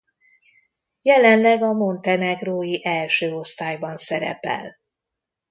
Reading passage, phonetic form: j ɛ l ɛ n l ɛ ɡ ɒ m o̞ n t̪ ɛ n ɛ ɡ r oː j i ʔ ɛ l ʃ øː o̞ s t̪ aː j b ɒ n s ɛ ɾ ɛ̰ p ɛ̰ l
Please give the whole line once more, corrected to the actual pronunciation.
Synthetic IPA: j ɛ l ɛ n l ɛ ɡ ɒ m o̞ n t̪ ɛ n ɛ ɡ r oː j i ʔ ɛ l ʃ øː o̞ s t̪ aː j b ɒ n s ɛ ɾ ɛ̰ p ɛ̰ l